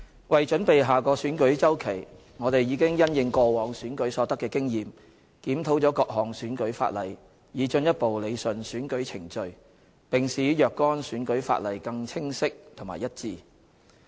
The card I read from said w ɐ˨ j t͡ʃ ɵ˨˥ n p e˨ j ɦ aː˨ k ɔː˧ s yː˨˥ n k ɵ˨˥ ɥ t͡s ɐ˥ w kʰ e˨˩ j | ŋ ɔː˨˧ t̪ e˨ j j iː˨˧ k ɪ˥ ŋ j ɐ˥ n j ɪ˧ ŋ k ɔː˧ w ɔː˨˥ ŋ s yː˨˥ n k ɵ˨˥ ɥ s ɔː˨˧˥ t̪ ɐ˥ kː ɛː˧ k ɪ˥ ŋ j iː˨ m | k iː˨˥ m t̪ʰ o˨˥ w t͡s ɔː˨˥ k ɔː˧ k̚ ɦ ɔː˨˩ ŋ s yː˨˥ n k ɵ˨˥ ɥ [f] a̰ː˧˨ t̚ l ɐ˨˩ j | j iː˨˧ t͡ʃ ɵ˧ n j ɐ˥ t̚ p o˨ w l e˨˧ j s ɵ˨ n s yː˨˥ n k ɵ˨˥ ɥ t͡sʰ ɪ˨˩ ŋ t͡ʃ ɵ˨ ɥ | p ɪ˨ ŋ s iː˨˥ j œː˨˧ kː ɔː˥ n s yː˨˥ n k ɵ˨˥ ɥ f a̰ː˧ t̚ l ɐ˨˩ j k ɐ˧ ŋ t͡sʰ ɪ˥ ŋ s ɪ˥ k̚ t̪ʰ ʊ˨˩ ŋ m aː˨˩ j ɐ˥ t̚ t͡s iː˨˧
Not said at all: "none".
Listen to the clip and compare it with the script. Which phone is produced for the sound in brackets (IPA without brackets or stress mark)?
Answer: f